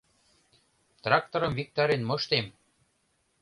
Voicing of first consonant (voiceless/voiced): voiceless